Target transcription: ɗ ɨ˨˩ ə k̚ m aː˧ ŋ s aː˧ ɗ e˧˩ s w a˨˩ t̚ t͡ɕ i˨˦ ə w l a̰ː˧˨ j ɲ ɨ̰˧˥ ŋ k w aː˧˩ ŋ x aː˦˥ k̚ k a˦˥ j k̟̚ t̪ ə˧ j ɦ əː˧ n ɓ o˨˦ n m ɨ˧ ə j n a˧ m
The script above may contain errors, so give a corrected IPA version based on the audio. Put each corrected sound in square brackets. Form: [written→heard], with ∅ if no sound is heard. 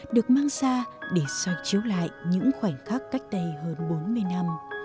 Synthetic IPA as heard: ɗ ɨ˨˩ ə k̚ m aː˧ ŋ s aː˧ ɗ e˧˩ s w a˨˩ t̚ t͡ɕ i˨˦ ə w l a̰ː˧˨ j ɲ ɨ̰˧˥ ŋ [k→x] w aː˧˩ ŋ x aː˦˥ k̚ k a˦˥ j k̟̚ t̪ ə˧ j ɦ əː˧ n ɓ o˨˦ n m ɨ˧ ə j n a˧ m